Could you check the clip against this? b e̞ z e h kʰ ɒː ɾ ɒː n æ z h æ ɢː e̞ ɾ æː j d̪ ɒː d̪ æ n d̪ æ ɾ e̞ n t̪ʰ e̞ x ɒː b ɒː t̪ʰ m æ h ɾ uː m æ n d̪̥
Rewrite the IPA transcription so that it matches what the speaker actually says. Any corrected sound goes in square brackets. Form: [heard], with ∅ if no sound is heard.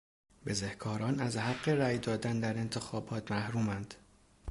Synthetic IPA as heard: b e̞ z e h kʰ ɒː ɾ ɒː n æ z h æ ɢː e̞ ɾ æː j d̪ ɒː d̪ æ n d̪ æ ɾ e̞ n t̪ʰ e̞ x ɒː b ɒː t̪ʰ m æ h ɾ uː m æ n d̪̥